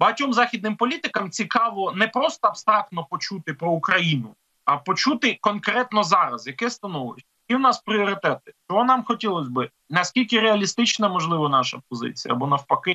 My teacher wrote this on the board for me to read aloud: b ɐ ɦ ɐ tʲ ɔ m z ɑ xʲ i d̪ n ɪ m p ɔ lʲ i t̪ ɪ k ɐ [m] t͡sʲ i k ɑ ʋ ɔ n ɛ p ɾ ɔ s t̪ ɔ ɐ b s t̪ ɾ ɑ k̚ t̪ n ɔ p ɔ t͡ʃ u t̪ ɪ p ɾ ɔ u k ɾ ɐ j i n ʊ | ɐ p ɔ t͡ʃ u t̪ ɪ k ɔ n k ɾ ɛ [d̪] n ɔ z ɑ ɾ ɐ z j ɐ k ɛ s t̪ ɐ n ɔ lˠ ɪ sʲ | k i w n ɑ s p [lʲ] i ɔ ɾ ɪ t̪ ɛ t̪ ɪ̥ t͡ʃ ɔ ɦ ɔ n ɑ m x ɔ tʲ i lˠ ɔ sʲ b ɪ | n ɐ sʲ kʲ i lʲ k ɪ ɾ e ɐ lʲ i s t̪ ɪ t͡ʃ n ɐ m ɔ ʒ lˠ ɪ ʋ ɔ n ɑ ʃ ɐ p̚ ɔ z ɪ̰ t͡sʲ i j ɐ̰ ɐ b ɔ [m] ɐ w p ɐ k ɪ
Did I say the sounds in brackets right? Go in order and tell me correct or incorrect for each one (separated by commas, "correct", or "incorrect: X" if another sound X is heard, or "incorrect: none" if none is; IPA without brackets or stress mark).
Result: correct, incorrect: t̪, incorrect: ɾʲ, incorrect: n